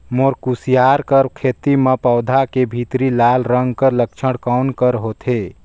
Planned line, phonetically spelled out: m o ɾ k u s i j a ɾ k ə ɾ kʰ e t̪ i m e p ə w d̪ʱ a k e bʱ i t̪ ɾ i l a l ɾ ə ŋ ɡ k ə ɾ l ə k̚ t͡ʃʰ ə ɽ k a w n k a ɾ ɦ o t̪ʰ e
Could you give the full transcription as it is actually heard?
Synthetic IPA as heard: m o ɾ k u s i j a ɾ k ə ɾ kʰ e t̪ i m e p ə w d̪ʱ a k e bʱ i t̪ ɾ i l a l ɾ ə ŋ ɡ k ə ɾ l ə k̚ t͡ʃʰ ə ɽ k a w n k ə ɾ ɦ o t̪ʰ e